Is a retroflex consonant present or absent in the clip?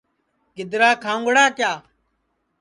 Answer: present